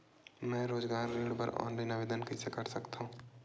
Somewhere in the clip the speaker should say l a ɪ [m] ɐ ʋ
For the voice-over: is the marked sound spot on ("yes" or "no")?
no